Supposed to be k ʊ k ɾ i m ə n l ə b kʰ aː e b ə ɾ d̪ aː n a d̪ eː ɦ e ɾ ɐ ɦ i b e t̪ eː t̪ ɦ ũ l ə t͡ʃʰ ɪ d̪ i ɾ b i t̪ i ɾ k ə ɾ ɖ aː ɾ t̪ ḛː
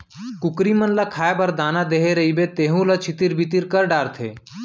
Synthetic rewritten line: k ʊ k ɾ i m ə n l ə kʰ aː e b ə ɾ d̪ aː n a d̪ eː ɦ e ɾ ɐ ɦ i b e t̪ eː ɦ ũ l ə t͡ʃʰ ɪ t̪ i ɾ b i t̪ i ɾ k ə ɾ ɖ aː ɾ t̪ʰ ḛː